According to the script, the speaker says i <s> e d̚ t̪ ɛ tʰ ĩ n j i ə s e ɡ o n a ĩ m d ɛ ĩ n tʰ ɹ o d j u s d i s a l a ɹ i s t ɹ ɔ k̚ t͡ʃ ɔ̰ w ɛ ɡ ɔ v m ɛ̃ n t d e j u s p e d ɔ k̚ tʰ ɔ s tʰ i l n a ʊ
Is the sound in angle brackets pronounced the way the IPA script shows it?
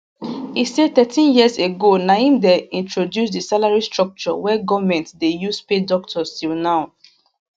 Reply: yes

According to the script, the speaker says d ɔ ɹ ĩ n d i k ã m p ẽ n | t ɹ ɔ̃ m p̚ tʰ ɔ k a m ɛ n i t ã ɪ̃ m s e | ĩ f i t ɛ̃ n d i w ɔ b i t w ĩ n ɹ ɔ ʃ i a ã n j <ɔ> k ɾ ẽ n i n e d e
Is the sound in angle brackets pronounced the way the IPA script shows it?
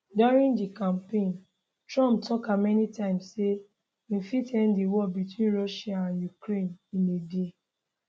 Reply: no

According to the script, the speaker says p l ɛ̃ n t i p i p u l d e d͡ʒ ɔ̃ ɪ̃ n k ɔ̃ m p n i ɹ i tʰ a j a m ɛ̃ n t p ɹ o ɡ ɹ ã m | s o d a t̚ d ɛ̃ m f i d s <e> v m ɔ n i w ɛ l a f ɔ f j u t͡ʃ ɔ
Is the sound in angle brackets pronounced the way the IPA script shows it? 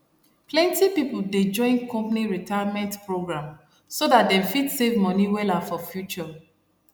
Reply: yes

